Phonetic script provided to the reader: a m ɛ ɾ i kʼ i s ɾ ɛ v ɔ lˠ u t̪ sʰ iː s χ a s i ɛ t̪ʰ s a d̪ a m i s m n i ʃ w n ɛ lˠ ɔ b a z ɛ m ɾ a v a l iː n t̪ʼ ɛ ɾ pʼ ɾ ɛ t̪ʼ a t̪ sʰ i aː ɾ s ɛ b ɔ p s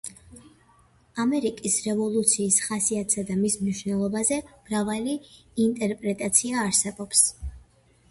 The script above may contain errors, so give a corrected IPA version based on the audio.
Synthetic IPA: a m ɛ ɾ i kʼ i s ɾ ɛ v ɔ lˠ u t̪ sʰ iː s χ a s i a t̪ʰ s a d̪ a m i s m n i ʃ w n ɛ lˠ ɔ b a z ɛ m ɾ a v a l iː n t̪ʼ ɛ ɾ pʼ ɾ ɛ t̪ʼ a t̪ sʰ i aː ɾ s ɛ b ɔ p s